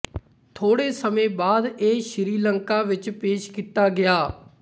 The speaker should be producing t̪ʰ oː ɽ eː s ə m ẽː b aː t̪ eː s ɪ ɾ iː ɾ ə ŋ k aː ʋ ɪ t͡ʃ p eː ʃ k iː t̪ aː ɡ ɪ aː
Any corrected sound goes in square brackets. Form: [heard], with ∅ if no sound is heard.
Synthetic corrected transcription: t̪ʰ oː ɽ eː s ə m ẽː b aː [d̪] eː [ʃ] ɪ ɾ iː [l] ə ŋ k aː ʋ ɪ t͡ʃ p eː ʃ k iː t̪ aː ɡ ɪ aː